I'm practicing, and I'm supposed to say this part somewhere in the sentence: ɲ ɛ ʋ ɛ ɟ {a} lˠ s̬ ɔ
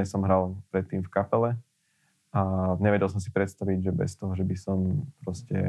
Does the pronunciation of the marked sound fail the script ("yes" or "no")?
yes